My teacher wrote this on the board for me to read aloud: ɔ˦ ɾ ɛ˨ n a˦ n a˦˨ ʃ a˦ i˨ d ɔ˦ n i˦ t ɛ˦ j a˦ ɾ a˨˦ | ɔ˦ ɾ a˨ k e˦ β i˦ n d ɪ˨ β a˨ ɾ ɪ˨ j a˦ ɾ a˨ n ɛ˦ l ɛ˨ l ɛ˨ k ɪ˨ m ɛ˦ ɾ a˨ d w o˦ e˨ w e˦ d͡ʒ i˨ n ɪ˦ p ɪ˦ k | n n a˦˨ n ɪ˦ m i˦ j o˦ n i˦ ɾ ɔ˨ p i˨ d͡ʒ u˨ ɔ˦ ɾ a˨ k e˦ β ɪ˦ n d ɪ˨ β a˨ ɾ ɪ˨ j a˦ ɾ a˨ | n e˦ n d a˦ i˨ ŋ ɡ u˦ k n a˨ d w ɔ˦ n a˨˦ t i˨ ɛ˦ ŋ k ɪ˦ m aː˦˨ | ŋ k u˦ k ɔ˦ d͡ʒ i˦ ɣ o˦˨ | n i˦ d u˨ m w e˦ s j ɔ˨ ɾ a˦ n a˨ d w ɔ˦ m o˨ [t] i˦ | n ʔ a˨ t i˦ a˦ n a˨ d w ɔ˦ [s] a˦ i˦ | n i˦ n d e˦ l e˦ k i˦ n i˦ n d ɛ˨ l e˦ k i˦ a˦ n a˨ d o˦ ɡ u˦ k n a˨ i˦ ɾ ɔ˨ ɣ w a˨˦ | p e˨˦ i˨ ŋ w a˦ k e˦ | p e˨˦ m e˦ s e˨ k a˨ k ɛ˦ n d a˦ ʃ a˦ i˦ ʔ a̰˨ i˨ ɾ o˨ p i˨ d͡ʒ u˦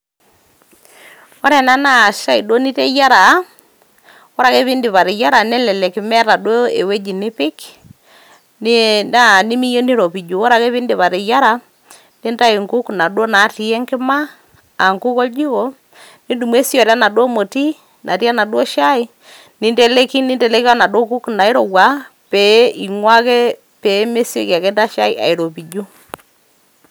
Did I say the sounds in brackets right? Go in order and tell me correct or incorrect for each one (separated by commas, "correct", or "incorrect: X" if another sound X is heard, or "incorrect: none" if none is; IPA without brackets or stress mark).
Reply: correct, incorrect: ʃ